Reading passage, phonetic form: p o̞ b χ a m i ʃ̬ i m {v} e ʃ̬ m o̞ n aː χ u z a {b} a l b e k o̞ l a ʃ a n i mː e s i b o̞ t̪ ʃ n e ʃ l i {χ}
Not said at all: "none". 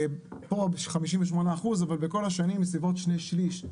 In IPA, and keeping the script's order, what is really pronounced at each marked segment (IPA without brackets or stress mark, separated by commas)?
v, v, ʃ